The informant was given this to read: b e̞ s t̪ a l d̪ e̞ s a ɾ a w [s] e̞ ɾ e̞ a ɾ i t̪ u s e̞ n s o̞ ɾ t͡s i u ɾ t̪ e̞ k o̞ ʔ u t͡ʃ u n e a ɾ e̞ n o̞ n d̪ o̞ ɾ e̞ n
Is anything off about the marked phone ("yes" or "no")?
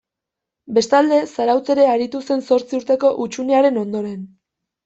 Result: yes